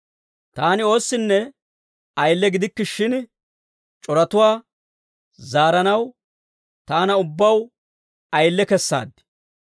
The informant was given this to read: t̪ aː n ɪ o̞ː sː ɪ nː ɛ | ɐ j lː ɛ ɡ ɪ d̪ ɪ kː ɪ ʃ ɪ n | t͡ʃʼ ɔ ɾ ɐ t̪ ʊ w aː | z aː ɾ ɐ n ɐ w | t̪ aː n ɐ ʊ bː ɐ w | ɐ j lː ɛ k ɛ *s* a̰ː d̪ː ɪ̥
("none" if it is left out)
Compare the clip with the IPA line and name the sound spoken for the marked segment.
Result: sː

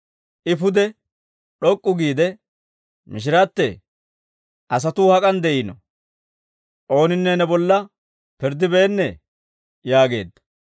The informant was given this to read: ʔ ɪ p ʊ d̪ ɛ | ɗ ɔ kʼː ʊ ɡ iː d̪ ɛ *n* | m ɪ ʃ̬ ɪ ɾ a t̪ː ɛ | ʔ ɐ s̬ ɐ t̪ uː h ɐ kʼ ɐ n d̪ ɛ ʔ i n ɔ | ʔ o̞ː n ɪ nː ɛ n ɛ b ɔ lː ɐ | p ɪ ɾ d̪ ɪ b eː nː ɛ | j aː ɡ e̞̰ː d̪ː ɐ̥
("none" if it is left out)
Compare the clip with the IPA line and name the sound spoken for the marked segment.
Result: none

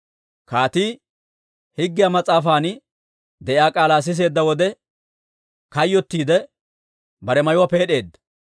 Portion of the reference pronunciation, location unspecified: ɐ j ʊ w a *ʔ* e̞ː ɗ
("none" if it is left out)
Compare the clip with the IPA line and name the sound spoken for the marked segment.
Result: p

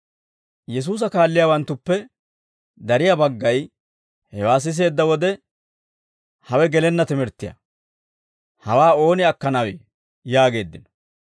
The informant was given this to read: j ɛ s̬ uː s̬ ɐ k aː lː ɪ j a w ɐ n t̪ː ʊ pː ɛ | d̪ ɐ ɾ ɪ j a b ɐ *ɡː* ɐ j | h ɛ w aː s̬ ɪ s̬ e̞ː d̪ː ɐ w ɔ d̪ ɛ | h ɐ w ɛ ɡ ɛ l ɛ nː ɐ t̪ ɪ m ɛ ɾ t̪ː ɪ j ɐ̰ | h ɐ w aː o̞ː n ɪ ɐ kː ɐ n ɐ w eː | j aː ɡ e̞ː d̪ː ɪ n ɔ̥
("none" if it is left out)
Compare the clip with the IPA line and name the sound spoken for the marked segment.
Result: ɡː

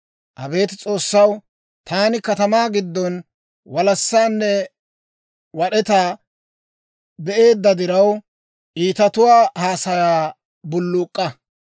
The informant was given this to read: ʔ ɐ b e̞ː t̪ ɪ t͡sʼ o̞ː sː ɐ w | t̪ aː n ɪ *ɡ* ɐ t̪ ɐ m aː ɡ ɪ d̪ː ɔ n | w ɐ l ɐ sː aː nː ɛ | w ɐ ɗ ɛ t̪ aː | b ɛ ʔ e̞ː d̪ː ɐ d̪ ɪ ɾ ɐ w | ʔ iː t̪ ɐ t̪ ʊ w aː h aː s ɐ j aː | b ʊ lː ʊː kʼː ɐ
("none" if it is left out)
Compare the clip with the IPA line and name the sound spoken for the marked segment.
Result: k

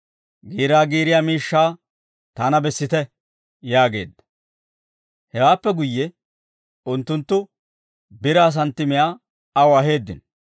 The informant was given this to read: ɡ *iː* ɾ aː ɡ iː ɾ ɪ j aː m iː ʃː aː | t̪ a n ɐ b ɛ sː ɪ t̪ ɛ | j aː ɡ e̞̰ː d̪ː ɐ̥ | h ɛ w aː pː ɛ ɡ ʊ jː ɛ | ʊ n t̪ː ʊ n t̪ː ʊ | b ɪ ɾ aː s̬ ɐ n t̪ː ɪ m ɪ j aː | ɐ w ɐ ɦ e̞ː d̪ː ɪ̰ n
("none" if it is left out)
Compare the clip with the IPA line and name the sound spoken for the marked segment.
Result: iː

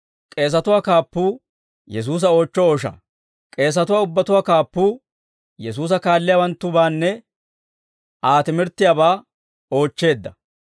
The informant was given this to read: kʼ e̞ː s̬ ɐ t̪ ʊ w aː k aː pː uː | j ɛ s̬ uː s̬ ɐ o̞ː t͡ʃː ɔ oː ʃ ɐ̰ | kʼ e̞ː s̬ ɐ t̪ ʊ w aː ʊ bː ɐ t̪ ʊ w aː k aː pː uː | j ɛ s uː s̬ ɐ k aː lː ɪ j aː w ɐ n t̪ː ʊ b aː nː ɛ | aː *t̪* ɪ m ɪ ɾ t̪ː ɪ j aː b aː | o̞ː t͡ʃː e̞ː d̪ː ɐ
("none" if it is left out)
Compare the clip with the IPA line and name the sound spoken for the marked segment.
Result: t̪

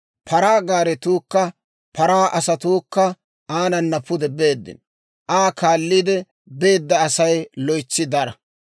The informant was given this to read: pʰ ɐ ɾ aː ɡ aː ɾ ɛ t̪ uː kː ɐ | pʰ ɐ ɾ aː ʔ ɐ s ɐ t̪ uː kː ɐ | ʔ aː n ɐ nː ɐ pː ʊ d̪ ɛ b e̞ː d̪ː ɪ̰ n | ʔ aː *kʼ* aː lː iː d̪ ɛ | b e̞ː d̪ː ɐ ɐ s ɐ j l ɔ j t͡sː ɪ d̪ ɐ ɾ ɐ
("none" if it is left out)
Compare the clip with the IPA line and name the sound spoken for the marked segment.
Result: k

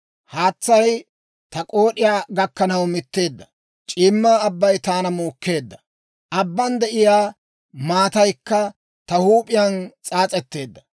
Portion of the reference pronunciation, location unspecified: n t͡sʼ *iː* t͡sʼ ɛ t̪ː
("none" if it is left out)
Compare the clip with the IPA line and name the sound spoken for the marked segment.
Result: aː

